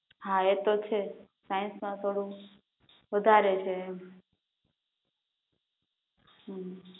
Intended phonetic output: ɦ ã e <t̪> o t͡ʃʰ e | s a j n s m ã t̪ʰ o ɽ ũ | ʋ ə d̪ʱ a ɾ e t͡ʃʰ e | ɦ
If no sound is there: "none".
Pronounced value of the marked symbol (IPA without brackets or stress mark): t̪